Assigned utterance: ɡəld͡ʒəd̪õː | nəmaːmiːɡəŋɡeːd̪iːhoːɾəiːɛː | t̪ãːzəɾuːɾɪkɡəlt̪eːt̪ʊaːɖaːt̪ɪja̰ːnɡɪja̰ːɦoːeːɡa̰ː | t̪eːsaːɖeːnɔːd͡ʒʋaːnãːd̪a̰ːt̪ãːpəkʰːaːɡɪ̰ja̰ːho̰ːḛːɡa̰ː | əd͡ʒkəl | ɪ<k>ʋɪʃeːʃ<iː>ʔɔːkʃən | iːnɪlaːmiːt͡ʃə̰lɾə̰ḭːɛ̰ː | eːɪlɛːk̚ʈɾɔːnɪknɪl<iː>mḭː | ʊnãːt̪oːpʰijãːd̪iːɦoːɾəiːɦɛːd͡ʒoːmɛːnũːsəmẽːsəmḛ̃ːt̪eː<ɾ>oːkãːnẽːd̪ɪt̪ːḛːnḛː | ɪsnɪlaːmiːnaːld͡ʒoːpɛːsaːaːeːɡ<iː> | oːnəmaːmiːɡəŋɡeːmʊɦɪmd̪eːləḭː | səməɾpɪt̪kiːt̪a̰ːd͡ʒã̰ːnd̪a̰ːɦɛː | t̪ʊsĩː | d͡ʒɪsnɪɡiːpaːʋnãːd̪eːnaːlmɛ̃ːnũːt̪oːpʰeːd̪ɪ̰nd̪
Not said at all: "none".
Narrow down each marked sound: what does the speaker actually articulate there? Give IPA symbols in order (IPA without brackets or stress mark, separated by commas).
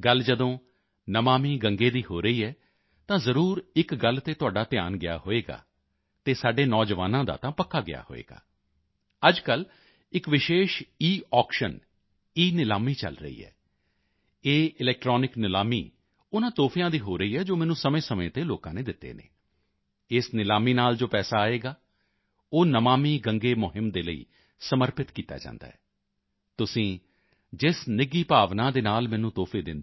k, iː, aː, l, aː